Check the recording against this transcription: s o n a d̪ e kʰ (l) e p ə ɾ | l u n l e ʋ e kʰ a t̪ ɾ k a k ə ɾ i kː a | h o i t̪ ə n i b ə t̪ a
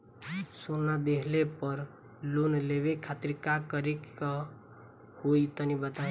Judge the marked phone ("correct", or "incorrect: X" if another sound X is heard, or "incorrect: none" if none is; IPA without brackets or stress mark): correct